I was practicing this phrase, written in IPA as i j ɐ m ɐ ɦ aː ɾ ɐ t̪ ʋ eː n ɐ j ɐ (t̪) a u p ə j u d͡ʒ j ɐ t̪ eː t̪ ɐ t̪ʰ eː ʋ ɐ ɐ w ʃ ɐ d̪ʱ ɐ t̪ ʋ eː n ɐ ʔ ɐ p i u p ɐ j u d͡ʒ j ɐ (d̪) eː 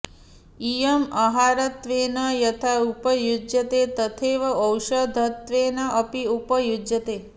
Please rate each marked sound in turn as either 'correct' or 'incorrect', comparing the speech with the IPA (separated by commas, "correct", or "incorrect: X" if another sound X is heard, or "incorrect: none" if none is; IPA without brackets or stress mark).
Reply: incorrect: t̪ʰ, incorrect: t̪